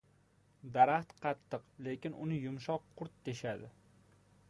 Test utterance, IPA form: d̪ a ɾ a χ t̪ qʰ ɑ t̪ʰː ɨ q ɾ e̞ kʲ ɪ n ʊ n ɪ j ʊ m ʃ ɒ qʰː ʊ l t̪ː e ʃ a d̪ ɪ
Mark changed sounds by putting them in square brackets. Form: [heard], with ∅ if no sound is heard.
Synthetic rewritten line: d̪ a ɾ a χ t̪ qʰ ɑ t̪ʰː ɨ q [l] e̞ kʲ ɪ n ʊ n ɪ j ʊ m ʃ ɒ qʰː ʊ [ɾ] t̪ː e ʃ a d̪ ɪ